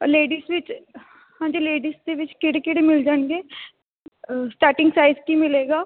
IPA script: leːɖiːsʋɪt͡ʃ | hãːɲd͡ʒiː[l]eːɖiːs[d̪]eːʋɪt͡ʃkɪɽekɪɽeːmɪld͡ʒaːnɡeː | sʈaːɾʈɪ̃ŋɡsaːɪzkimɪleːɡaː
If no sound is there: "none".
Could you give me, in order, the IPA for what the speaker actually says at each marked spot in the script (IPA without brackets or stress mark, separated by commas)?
l, d̪